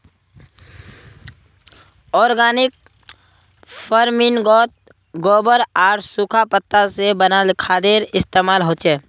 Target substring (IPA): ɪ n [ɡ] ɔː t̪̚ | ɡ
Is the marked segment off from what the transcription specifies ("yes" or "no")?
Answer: no